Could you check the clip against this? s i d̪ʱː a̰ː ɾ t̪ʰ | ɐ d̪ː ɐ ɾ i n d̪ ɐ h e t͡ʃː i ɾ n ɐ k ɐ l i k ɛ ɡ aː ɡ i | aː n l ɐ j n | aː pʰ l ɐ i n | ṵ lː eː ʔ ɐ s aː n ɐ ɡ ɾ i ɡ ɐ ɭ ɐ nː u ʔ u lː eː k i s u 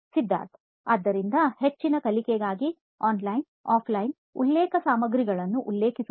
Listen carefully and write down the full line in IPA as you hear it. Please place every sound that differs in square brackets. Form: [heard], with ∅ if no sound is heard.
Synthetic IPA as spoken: s i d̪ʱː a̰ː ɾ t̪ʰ | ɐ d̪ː ɐ ɾ i n d̪ ɐ h e t͡ʃː i [∅] n ɐ k ɐ l i k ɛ ɡ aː ɡ i | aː n l ɐ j n | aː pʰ l ɐ [j] n | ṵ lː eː [k] ɐ s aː [m] ɐ ɡ ɾ i ɡ ɐ ɭ ɐ nː u ʔ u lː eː k i s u